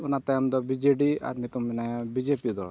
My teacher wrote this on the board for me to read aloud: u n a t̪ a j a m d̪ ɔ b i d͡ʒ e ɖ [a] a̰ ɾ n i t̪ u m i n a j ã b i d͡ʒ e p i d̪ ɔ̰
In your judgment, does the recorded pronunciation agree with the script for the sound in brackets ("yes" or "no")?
no